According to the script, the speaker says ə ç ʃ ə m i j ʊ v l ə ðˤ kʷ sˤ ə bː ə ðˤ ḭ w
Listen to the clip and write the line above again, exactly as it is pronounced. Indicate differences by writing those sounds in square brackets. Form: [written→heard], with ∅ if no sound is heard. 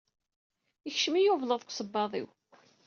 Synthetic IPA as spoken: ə ç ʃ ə m i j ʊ v l ə ðˤ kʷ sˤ ə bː [ə→ɑ] ðˤ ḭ w